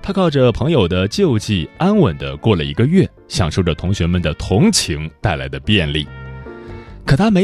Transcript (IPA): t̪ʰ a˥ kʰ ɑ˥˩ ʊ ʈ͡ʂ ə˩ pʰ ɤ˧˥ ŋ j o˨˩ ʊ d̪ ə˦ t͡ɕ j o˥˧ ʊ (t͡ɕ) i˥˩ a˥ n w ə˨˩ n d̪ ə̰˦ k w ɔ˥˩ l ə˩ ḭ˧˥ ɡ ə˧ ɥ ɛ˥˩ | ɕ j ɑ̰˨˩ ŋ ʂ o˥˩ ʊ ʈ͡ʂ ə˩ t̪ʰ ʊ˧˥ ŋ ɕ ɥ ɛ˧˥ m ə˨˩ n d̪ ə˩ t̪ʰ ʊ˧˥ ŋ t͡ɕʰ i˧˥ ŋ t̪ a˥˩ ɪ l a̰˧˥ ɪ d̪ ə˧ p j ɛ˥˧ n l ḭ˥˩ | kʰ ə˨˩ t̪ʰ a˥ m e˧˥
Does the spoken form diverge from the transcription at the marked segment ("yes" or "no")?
no